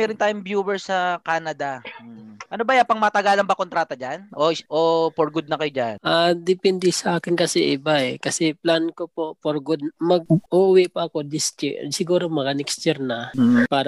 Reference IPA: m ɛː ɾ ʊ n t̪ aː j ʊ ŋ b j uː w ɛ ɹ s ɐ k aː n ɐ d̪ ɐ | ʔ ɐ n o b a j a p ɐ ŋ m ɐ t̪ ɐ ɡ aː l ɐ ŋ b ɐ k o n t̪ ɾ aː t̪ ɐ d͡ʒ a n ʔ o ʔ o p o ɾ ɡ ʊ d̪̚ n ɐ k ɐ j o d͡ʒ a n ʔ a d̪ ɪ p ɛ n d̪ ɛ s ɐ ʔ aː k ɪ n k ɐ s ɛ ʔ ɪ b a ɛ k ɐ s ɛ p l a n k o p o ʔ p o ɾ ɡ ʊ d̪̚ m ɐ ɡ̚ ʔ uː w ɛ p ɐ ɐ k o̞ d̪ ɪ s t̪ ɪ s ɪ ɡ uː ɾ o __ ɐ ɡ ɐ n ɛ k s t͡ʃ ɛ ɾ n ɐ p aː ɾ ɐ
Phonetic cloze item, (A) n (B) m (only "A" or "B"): B